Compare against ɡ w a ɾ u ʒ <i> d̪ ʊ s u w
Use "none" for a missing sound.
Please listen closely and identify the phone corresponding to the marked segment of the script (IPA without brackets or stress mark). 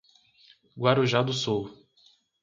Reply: a